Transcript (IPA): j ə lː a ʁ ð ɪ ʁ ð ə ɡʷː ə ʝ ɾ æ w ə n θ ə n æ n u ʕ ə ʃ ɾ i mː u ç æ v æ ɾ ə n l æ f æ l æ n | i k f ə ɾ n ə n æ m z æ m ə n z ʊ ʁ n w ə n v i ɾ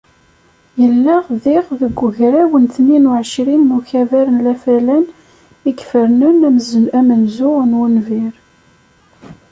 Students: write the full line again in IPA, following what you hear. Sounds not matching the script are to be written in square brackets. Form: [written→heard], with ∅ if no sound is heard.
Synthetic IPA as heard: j ə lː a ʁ ð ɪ ʁ ð ə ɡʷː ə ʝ ɾ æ w ə n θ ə n [æ→i] n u ʕ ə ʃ ɾ i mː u ç æ v æ ɾ ə n l æ f æ l æ n | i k f ə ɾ n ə n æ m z æ m ə n z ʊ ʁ n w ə n v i ɾ